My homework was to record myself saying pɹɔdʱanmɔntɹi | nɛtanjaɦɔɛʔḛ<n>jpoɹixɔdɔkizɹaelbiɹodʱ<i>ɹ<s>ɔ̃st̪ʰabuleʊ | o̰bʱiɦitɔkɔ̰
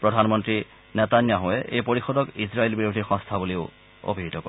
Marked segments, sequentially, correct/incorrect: incorrect, correct, incorrect

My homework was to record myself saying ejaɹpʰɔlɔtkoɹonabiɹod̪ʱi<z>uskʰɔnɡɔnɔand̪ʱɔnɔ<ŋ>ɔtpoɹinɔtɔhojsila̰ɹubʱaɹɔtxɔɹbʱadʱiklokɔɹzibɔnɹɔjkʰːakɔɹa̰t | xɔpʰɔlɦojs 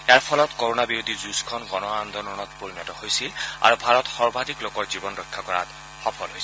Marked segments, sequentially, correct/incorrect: correct, incorrect

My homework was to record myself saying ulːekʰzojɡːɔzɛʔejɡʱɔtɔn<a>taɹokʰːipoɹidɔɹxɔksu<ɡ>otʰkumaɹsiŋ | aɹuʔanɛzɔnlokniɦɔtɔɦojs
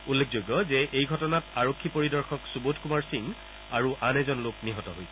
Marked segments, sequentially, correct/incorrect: correct, incorrect

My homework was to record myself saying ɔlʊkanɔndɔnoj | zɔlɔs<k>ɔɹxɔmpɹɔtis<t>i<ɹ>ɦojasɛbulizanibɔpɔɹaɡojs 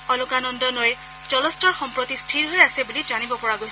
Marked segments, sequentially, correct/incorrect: incorrect, incorrect, correct

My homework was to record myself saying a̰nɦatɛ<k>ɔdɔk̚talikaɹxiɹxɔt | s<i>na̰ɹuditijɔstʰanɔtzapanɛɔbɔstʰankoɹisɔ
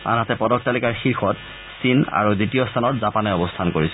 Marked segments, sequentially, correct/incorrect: incorrect, correct

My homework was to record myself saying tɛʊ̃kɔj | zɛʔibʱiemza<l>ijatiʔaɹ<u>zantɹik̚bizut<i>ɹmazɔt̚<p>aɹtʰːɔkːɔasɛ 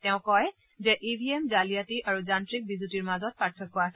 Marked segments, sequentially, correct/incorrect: correct, correct, correct, correct

